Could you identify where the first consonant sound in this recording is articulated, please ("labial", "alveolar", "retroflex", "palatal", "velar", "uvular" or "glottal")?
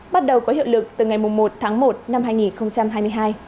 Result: labial